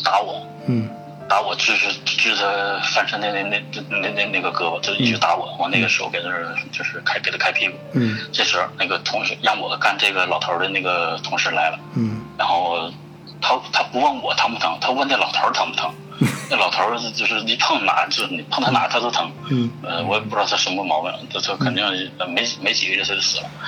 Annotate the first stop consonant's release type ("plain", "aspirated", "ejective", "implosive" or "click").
plain